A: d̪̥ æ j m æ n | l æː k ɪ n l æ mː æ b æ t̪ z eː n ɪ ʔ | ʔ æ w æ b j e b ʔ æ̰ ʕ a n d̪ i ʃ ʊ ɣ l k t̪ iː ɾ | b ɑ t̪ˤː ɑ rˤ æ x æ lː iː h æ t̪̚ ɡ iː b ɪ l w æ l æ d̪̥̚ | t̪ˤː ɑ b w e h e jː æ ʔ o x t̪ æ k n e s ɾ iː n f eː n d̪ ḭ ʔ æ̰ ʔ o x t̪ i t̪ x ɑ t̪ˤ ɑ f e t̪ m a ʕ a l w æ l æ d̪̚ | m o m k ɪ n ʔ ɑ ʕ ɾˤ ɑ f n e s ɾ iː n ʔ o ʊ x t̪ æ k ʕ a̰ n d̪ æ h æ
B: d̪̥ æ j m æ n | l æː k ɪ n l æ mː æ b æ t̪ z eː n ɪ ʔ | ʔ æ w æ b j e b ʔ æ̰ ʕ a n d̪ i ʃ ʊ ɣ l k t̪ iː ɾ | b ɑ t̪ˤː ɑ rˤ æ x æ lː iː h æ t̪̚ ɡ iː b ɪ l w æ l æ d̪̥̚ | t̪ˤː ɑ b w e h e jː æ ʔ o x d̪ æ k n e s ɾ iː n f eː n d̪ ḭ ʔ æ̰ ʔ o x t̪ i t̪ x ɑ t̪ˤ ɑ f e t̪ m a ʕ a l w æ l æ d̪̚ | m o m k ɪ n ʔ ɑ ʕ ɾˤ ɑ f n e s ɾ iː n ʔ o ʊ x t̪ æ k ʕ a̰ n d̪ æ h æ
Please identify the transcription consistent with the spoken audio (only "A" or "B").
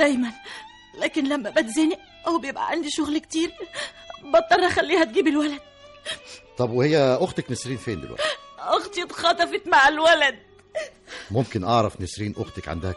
A